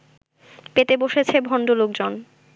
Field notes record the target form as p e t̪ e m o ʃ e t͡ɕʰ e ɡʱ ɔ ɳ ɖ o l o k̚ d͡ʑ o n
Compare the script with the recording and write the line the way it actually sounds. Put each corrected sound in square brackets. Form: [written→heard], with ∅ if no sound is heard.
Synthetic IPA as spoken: p e t̪ e [m→b] o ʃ e t͡ɕʰ e [ɡʱ→bʱ] ɔ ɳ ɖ o l o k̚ d͡ʑ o n